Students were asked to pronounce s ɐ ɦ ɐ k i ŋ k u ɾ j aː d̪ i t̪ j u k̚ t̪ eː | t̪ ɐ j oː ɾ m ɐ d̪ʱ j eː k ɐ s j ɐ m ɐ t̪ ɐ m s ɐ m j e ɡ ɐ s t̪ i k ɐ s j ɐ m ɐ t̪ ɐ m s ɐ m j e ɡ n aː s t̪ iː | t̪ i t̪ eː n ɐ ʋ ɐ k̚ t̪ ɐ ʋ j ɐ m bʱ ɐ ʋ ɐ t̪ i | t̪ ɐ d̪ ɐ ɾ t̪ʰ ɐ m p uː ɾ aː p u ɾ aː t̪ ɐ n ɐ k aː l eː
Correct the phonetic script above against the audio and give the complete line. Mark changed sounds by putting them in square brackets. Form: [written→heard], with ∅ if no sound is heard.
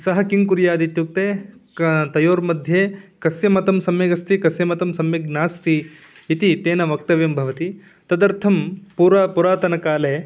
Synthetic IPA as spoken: s ɐ ɦ ɐ k i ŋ k u ɾ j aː d̪ i t̪ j u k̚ t̪ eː | t̪ ɐ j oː ɾ m ɐ d̪ʱ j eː k ɐ s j ɐ m ɐ t̪ ɐ m s ɐ m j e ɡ ɐ s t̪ i k ɐ s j ɐ m ɐ t̪ ɐ m s ɐ m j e ɡ n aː s t̪ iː | t̪ i t̪ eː n ɐ ʋ ɐ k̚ t̪ ɐ ʋ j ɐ m bʱ ɐ ʋ ɐ t̪ i | t̪ ɐ d̪ ɐ ɾ t̪ʰ ɐ m p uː ɾ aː p u ɾ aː t̪ ɐ n ɐ k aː l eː